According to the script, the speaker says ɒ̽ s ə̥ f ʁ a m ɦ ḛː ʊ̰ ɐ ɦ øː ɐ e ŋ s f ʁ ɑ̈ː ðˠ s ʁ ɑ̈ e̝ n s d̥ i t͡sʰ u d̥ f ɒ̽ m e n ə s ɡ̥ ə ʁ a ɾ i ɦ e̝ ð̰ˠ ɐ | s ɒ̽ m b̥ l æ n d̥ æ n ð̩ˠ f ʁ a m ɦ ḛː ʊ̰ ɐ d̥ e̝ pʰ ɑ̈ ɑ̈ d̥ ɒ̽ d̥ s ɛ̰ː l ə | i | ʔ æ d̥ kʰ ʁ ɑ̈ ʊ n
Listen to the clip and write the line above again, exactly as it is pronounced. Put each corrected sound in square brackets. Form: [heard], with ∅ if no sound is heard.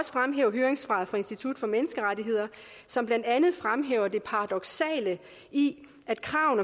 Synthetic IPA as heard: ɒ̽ s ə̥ f ʁ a m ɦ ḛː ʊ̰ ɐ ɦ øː ɐ e ŋ s f ʁ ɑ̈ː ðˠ [f] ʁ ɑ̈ e̝ n s d̥ i t͡sʰ u d̥ f ɒ̽ m e n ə s ɡ̥ ə ʁ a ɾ i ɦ e̝ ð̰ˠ ɐ | s ɒ̽ m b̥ l æ n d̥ æ n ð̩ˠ f ʁ a m ɦ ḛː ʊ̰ ɐ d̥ e̝ pʰ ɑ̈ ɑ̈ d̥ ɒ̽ [ɡ̥] s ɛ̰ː l ə | i | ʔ æ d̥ kʰ ʁ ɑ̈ ʊ n